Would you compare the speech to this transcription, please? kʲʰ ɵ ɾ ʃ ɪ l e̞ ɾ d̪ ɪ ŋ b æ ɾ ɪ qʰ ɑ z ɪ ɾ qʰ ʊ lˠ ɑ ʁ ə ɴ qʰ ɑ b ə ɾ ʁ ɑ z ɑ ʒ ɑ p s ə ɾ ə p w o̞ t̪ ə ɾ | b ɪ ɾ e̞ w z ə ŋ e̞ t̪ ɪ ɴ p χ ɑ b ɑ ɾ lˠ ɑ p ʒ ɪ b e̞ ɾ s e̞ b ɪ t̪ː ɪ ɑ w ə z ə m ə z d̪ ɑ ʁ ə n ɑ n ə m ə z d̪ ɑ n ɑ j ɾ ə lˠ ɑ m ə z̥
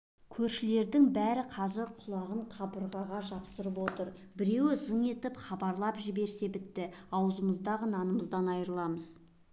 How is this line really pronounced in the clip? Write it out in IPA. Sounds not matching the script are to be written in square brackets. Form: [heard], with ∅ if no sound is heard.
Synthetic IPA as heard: kʲʰ ɵ ɾ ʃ ɪ l e̞ ɾ d̪ ɪ ŋ b æ ɾ ɪ qʰ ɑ z ɪ ɾ qʰ ʊ lˠ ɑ ʁ ə ɴ qʰ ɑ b ə ɾ ʁ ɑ [ʁ] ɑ ʒ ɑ p s ə ɾ ə p w o̞ t̪ ə ɾ | b ɪ ɾ e̞ w z ə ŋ e̞ t̪ ɪ [∅] p χ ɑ b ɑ ɾ lˠ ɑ p ʒ ɪ b e̞ ɾ s e̞ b ɪ t̪ː ɪ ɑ w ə z ə m ə z d̪ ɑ ʁ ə n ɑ n ə m ə z d̪ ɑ n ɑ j ɾ ə lˠ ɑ m ə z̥